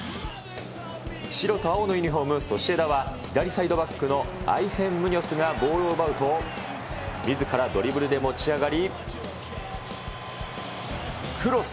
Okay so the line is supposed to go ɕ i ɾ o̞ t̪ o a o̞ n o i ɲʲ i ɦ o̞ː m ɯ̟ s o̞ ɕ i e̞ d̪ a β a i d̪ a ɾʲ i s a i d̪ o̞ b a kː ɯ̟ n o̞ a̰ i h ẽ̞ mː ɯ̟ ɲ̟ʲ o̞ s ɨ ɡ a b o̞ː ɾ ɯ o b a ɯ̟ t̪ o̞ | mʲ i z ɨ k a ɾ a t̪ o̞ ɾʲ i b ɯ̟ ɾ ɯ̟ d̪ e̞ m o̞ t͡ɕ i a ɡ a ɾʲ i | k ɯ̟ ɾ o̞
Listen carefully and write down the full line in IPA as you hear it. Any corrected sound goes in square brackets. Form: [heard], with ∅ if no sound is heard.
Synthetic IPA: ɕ i ɾ o̞ t̪ o a o̞ n o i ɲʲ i ɦ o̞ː m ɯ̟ s o̞ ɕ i e̞ d̪ a β a i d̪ a ɾʲ i s a i d̪ o̞ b a kː ɯ̟ n o̞ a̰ i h ẽ̞ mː ɯ̟ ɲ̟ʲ o̞ s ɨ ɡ a b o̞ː ɾ ɯ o b a ɯ̟ t̪ o̞ | mʲ i z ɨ k a ɾ a [d̪] o̞ ɾʲ i b ɯ̟ ɾ ɯ̟ d̪ e̞ m o̞ t͡ɕ i a ɡ a ɾʲ i | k ɯ̟ ɾ o̞